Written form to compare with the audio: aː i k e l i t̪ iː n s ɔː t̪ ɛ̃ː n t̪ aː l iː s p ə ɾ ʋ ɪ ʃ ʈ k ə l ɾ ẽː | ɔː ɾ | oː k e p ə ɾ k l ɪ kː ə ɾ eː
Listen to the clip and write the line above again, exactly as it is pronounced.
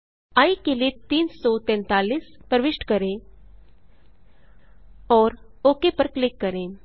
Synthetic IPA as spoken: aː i k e l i t̪ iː n s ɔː t̪ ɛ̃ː n t̪ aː l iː s p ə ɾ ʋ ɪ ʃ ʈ k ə ɾ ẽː | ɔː ɾ | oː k e p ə ɾ k l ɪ kː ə ɾ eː